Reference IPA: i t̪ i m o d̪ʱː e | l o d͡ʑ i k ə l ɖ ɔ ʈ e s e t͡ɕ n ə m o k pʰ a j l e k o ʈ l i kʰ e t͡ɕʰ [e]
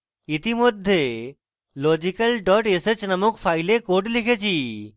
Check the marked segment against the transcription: incorrect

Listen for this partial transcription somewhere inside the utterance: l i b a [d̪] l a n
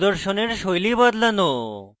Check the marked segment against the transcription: correct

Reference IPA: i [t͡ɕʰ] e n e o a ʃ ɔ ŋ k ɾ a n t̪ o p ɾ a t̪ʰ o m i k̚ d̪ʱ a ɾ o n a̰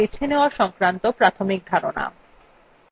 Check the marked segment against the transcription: correct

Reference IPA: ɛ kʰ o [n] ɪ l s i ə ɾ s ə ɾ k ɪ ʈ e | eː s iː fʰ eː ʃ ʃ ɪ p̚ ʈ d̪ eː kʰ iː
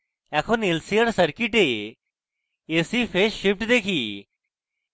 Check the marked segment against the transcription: correct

